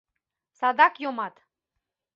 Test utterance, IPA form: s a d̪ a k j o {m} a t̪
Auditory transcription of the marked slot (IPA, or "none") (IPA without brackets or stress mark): m